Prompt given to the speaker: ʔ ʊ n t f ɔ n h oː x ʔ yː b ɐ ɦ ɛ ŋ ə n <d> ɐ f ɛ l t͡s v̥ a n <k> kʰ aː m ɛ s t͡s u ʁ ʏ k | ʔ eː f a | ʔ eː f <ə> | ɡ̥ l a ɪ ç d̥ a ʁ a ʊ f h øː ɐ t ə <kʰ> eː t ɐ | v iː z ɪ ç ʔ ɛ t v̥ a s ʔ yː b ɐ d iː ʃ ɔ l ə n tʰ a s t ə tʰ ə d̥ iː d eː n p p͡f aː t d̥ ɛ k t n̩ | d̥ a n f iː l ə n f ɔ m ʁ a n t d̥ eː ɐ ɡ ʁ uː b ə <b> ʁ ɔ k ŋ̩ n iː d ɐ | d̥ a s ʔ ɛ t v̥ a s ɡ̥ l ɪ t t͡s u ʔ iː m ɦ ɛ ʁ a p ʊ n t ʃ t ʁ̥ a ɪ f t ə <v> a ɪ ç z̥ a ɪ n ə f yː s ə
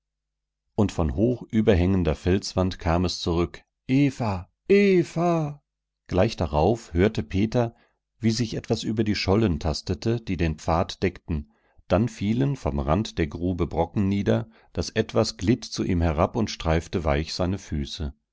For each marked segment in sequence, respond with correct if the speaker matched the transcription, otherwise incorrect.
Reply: correct, incorrect: t, incorrect: a, incorrect: pʰ, correct, correct

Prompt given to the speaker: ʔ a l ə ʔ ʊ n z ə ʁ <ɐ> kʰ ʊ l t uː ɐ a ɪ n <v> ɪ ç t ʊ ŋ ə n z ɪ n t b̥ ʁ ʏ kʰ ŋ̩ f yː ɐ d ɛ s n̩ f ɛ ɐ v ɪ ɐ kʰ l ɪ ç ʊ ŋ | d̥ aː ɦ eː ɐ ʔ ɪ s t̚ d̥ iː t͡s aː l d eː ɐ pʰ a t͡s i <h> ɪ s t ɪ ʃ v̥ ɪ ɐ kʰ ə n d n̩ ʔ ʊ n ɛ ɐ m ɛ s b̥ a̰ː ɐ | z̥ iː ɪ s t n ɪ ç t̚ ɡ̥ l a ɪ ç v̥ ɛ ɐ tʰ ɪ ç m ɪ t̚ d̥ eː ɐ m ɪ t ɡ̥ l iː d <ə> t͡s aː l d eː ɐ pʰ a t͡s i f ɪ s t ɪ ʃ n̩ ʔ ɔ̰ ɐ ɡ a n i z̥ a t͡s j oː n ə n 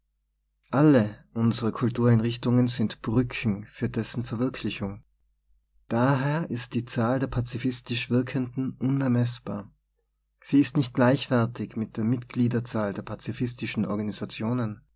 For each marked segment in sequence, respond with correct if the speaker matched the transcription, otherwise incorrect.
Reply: incorrect: ə, incorrect: ʁ, incorrect: f, incorrect: ɐ

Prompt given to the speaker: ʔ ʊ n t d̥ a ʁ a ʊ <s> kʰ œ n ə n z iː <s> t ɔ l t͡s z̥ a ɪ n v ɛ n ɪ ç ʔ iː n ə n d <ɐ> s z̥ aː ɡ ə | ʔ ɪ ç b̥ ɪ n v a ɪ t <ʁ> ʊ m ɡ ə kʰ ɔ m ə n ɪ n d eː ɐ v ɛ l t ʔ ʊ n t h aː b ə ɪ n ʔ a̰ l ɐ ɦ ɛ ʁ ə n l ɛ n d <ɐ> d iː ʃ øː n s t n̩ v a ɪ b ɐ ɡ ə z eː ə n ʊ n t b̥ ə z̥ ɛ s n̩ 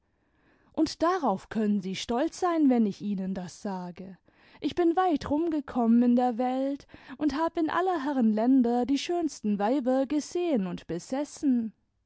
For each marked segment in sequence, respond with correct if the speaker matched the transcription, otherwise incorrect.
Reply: incorrect: f, incorrect: ʃ, incorrect: a, correct, correct

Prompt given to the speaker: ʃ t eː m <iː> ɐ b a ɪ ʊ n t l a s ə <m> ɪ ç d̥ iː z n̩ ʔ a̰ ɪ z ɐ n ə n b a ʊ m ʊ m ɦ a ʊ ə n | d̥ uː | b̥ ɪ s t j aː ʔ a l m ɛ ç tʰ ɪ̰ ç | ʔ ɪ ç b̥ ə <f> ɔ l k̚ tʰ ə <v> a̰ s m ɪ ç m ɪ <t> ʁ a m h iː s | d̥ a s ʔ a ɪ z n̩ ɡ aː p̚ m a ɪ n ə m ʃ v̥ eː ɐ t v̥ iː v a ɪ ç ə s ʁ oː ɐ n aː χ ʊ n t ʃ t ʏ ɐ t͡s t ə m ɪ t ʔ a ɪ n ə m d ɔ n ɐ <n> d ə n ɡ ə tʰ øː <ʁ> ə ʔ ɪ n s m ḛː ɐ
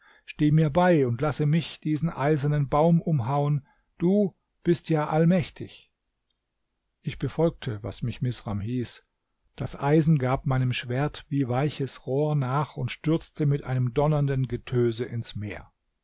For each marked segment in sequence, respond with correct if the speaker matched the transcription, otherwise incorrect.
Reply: correct, correct, correct, correct, incorrect: s, correct, incorrect: z

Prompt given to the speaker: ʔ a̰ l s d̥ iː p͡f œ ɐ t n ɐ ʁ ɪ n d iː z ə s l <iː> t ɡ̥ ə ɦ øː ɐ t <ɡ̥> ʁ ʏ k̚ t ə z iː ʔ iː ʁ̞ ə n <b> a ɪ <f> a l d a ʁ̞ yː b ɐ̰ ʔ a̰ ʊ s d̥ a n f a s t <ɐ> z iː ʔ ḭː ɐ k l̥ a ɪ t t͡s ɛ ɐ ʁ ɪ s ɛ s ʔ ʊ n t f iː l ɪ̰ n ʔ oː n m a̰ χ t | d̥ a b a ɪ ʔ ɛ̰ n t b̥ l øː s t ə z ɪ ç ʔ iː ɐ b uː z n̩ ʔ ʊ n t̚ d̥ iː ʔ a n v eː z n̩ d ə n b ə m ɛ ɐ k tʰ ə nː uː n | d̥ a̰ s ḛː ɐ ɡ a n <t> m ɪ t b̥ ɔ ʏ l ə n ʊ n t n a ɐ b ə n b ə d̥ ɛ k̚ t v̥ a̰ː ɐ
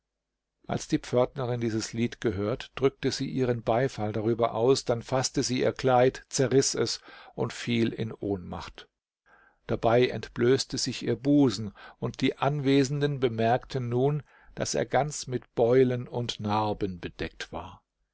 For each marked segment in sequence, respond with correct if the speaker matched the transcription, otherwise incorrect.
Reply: correct, incorrect: d̥, correct, correct, incorrect: ə, incorrect: t͡s

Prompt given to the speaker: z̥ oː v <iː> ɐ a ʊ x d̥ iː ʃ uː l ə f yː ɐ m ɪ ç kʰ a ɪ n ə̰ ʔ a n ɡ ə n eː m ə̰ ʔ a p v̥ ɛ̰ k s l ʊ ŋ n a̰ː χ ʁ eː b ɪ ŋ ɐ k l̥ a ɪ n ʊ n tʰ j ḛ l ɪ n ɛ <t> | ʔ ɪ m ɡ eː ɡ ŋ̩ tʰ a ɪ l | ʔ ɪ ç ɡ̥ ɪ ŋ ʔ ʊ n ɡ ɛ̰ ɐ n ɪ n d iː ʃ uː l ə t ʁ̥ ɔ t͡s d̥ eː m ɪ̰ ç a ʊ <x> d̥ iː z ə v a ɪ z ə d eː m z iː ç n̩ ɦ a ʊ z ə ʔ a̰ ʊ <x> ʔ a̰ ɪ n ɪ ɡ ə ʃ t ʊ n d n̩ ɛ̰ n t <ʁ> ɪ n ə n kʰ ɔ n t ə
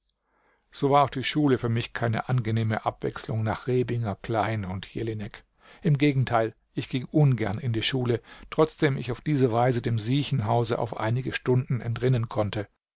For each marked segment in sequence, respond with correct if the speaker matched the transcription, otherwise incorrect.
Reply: incorrect: aː, incorrect: k, incorrect: f, incorrect: f, correct

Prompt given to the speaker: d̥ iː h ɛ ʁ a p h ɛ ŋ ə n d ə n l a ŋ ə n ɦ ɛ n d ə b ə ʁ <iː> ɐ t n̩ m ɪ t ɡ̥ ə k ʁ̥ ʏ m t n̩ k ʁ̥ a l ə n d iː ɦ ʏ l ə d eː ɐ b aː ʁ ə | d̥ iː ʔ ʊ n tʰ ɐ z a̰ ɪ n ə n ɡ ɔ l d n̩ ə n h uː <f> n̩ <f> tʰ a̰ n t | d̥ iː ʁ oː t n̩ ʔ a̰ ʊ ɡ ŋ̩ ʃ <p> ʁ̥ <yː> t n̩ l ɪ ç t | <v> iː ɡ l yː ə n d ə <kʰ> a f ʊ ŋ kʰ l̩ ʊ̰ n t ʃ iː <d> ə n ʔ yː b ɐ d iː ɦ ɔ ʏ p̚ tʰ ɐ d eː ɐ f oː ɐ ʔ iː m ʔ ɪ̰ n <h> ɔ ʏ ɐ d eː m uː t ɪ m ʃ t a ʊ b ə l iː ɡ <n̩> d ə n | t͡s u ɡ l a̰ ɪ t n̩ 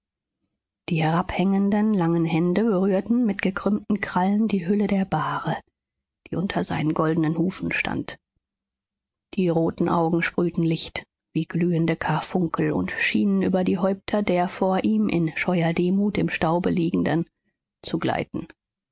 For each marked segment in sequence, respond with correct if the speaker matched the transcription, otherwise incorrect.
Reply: incorrect: yː, correct, incorrect: ʃ, correct, correct, correct, correct, incorrect: n, incorrect: ʃ, incorrect: ŋ̩

